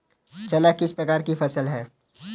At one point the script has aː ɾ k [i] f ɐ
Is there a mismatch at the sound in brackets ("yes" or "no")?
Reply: no